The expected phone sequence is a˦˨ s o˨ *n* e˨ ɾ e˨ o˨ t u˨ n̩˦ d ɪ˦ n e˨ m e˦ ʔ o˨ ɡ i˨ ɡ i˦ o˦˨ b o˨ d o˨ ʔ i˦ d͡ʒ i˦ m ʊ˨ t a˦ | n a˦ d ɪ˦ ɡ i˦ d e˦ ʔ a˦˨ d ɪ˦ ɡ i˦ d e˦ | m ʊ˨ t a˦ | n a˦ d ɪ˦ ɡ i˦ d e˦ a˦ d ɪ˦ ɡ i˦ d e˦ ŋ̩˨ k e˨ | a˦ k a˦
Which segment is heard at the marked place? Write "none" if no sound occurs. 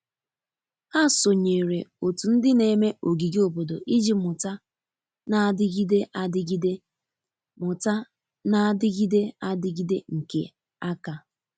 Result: ɲ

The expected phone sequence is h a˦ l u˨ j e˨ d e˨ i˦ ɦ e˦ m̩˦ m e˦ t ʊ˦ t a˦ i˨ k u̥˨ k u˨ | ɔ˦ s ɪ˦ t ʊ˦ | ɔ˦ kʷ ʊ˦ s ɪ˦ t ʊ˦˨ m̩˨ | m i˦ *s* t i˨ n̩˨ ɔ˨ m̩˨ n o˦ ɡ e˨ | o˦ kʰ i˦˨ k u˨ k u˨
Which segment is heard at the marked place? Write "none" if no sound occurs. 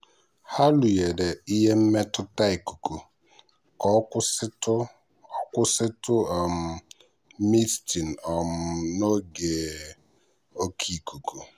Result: s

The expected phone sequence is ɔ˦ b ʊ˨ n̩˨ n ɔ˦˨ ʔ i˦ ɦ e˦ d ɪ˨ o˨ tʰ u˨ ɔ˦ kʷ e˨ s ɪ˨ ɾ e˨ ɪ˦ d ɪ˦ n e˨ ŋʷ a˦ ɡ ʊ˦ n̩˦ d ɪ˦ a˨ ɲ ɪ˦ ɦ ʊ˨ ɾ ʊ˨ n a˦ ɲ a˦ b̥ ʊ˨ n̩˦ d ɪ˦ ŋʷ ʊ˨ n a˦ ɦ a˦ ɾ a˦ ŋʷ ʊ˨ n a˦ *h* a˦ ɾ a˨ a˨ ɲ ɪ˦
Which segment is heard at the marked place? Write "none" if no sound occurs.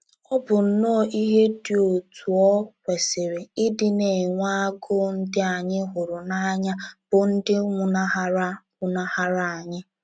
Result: h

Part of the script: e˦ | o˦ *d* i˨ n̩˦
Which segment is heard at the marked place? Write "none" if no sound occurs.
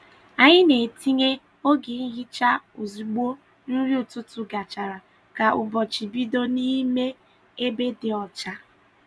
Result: ɡ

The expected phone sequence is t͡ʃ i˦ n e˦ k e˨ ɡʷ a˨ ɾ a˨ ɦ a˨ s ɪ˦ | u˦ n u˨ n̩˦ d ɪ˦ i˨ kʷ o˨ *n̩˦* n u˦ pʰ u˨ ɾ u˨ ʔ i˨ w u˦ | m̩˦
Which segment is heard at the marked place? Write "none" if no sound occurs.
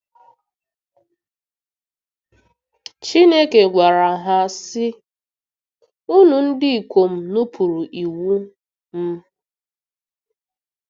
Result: m̩˦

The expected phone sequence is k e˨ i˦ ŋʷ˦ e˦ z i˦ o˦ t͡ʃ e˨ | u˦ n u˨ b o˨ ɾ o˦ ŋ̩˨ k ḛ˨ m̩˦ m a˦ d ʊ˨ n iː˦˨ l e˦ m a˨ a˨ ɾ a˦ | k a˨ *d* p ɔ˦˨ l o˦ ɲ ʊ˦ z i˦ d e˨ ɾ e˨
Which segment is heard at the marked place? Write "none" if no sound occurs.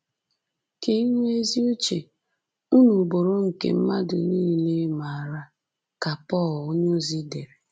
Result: none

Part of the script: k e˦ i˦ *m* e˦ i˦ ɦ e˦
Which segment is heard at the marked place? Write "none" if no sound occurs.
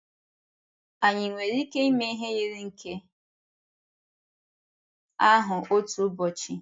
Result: m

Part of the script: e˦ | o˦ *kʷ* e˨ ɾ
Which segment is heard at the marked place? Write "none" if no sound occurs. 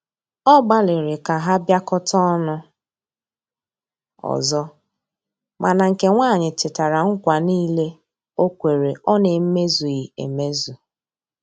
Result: kʷ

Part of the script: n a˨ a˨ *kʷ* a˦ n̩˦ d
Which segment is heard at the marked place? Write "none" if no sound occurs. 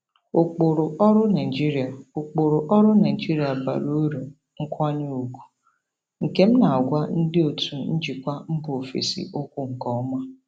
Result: ɡʷ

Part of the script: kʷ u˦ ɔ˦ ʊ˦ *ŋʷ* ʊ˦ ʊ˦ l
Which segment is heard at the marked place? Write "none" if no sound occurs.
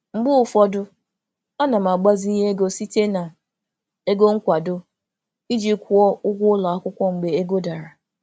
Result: ɡʷ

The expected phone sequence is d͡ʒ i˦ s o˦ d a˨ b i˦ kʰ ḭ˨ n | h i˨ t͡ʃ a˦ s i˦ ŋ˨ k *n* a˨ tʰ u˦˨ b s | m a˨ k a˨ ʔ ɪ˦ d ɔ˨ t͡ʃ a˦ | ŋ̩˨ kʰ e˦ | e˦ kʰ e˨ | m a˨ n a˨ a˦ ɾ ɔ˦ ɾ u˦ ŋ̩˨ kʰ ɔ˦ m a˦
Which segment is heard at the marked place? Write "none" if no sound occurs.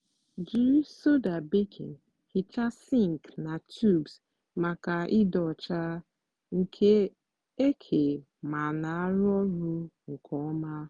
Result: n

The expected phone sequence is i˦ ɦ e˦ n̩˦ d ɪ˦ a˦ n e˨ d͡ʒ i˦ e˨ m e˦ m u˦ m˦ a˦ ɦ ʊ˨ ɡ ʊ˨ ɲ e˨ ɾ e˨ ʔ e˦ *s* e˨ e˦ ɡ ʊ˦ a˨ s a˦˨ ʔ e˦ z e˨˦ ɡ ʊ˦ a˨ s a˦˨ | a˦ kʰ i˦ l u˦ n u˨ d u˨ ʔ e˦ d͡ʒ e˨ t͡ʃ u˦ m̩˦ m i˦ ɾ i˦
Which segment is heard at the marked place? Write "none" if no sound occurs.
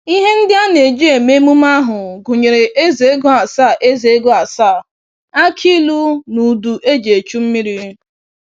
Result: z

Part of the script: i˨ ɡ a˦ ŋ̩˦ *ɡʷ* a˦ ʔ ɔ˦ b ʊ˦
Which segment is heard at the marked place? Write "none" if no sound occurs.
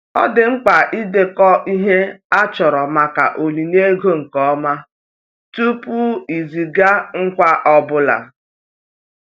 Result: kʷ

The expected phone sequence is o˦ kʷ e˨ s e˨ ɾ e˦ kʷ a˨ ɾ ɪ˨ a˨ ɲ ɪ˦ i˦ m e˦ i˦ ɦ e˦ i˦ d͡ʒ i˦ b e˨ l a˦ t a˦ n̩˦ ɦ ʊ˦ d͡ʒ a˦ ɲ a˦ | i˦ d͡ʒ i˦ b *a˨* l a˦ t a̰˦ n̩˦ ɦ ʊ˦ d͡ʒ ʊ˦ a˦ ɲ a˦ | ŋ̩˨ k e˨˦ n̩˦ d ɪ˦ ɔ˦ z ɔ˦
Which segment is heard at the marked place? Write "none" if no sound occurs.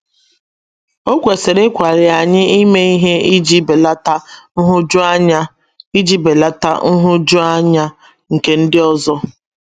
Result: e˨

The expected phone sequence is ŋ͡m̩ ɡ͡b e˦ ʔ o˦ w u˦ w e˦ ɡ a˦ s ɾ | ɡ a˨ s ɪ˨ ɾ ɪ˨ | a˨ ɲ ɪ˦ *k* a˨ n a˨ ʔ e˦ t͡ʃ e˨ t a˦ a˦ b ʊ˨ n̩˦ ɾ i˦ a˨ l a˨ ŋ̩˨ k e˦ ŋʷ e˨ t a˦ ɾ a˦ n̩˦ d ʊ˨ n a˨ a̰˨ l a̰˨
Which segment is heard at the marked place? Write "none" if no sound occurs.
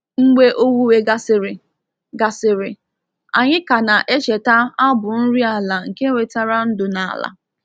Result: k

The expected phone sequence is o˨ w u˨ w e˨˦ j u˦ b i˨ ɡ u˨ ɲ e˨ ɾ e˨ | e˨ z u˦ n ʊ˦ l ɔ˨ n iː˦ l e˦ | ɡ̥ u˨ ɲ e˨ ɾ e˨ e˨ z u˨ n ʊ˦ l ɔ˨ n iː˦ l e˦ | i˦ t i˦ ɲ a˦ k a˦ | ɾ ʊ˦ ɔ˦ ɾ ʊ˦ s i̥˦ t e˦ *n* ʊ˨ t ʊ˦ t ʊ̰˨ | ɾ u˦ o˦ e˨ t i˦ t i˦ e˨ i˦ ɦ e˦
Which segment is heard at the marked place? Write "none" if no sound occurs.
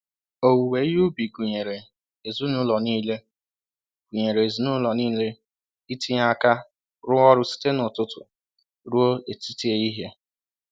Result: n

